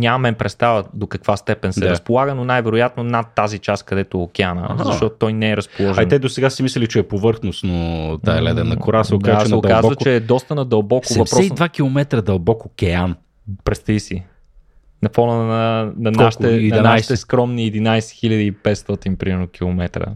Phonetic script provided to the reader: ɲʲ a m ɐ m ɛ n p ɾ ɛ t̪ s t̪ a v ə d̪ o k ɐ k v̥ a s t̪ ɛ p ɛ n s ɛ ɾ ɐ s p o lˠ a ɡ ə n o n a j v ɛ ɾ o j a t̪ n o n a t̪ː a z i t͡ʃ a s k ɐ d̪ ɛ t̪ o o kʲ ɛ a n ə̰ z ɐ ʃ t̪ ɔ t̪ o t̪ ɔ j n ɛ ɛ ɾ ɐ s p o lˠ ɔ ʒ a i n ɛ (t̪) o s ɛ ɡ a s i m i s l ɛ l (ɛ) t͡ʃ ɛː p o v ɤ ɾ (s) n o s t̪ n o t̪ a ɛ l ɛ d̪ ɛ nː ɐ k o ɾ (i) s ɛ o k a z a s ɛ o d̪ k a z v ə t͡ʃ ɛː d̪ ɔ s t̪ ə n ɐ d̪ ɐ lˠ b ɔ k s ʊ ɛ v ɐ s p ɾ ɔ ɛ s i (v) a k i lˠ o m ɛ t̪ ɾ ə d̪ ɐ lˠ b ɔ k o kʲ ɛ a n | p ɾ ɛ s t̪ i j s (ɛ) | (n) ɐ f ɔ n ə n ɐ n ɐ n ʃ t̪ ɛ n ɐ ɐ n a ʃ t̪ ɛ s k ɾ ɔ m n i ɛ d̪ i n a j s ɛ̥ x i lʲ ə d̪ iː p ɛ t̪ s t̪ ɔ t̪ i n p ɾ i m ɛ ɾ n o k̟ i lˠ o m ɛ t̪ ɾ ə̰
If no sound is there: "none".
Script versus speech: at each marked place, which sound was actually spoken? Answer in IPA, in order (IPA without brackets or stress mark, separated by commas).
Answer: d̪, i, x, a, v, i, n